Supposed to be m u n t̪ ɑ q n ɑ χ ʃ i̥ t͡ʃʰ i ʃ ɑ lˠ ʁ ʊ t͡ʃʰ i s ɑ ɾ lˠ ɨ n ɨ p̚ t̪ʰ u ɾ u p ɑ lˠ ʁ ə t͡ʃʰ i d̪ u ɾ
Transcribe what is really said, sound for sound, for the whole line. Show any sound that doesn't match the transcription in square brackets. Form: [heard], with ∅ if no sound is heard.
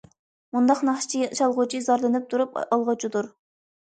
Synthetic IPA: m u n [d̪] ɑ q n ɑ χ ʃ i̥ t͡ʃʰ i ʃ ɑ lˠ ʁ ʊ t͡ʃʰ i [z] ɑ ɾ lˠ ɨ n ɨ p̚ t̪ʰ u ɾ u p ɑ lˠ ʁ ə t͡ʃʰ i d̪ u ɾ